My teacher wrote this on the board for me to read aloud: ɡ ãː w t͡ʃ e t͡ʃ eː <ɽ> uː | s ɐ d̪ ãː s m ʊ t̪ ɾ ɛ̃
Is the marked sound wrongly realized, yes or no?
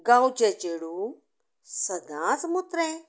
no